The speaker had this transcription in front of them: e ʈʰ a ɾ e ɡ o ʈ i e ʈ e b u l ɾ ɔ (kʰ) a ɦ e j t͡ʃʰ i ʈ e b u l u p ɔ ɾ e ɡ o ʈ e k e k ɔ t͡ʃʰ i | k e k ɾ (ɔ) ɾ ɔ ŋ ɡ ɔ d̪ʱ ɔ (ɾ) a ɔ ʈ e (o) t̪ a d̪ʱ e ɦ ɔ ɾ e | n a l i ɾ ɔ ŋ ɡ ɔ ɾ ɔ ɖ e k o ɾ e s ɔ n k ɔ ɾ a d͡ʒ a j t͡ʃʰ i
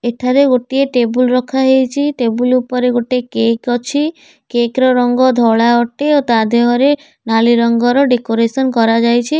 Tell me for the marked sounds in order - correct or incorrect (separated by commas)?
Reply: correct, correct, incorrect, correct